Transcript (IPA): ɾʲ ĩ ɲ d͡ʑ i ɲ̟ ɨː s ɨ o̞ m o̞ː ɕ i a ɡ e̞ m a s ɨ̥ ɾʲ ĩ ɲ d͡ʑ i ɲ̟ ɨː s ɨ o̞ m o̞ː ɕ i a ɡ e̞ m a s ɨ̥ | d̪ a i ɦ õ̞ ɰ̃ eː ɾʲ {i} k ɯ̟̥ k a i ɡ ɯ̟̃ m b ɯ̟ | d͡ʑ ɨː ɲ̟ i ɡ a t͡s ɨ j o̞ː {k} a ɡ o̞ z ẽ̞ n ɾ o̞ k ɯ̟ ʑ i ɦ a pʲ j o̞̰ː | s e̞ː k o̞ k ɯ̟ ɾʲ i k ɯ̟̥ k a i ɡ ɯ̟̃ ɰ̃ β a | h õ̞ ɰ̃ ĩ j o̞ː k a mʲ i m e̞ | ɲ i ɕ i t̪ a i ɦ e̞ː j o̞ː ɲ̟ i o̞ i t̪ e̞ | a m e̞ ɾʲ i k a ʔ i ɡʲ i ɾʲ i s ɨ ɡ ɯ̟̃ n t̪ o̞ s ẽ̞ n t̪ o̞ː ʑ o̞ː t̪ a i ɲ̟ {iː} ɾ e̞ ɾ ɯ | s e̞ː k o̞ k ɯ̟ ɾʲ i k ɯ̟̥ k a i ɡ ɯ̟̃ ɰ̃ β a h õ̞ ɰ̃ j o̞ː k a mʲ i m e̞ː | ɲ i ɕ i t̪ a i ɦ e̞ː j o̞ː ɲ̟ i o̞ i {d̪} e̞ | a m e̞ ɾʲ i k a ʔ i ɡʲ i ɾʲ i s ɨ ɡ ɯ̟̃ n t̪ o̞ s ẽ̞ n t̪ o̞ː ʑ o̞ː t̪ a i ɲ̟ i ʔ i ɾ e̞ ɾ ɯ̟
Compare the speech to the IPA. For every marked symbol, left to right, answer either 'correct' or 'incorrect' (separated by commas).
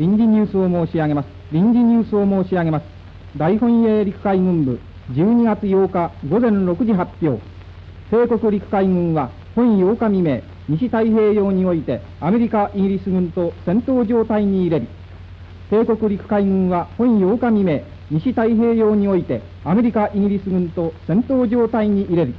correct, correct, correct, incorrect